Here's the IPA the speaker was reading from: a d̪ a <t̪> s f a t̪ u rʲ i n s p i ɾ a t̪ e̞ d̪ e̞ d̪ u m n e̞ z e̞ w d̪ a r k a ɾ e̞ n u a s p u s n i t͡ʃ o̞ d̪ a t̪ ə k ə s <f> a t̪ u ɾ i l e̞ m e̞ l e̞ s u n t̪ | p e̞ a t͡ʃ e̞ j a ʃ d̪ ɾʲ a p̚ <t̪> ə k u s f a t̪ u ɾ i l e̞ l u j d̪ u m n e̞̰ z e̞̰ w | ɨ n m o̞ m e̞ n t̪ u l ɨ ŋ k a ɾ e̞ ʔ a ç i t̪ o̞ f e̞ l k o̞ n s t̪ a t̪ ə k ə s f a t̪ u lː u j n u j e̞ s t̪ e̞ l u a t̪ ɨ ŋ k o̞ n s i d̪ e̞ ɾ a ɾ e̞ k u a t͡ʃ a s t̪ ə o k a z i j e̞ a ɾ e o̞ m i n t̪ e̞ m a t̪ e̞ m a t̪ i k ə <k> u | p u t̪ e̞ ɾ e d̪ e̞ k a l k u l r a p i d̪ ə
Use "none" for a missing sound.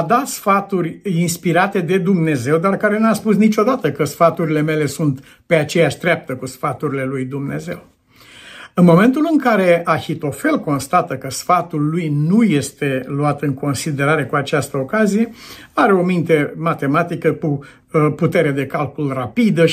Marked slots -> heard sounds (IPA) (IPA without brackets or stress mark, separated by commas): t̪, f, t̪, k